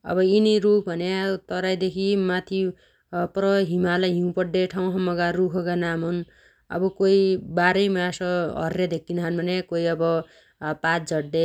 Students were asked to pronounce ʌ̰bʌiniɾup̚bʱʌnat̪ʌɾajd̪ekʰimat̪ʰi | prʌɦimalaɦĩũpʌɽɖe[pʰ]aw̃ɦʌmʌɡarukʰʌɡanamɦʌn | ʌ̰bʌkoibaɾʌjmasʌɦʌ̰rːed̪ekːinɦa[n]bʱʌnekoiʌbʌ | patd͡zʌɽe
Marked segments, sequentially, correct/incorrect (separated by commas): incorrect, correct